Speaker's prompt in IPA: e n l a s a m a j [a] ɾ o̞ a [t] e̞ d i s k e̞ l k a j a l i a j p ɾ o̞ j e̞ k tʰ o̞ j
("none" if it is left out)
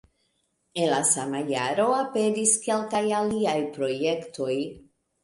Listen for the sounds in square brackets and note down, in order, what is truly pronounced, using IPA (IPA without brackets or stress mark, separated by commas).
a, p